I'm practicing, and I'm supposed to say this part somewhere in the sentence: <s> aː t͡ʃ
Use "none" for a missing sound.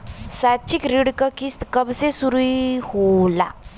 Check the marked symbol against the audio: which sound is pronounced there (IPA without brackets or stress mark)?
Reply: s